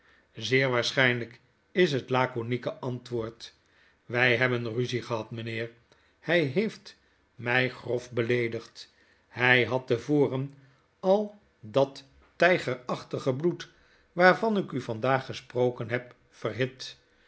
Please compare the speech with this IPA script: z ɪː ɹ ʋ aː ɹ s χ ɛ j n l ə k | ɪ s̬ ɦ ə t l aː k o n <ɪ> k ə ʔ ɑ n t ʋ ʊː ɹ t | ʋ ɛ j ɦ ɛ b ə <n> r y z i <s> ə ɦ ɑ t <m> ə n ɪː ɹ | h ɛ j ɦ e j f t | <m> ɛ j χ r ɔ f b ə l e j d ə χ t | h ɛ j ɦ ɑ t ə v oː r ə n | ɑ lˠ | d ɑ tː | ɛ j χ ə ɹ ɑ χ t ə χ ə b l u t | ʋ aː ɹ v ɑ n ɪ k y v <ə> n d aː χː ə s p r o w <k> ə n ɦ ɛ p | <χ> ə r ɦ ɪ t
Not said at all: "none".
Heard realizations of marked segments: i, n, χ, m, m, ɑ, k, f

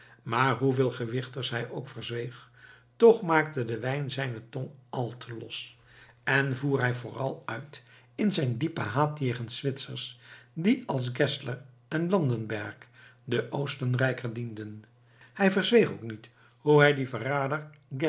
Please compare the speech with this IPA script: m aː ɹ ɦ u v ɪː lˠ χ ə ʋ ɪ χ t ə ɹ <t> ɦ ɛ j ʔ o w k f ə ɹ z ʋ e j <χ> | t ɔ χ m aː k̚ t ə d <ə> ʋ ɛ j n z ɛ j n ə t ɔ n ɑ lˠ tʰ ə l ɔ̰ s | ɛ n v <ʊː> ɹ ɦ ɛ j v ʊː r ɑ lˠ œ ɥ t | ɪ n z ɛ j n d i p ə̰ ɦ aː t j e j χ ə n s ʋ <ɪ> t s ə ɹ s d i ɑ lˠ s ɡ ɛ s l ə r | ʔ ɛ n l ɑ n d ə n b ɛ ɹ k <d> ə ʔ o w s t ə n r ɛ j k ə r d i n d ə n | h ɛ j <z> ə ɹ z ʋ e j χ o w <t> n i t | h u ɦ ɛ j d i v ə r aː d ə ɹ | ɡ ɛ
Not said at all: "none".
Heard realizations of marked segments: s, χ, ə, uː, ɪ, d, v, k

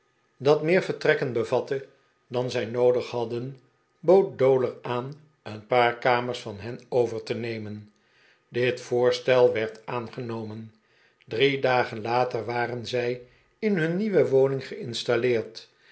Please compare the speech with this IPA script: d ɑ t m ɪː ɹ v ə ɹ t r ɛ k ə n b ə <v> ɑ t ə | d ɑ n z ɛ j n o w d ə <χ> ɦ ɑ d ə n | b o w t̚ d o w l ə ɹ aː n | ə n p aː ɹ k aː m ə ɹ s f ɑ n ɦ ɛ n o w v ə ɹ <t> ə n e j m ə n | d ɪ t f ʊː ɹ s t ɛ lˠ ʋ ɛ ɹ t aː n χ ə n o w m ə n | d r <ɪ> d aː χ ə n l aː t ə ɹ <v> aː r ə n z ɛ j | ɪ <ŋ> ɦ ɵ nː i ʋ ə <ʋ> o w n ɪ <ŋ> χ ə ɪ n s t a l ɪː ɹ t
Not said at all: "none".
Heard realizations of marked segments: v, χ, t, i, ʋ, n, ʋ, ŋ

